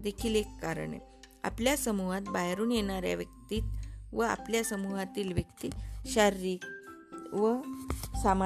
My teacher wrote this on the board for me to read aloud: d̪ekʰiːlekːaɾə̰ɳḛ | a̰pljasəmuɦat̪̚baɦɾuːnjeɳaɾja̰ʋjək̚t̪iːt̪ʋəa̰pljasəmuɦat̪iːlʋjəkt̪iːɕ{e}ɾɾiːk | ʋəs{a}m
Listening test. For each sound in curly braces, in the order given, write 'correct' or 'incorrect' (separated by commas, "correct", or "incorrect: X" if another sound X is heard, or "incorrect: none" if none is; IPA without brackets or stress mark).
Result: incorrect: a, correct